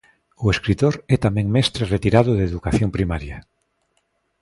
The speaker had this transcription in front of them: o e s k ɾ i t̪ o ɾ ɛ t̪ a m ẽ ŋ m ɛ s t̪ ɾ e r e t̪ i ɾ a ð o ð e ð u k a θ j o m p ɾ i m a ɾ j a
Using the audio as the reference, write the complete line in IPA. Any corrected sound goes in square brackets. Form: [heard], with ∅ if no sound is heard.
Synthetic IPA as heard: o e s k ɾ i t̪ o ɾ ɛ t̪ a m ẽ ŋ m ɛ s t̪ ɾ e r e t̪ i ɾ a ð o ð e ð u k a θ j o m p ɾ i m a ɾ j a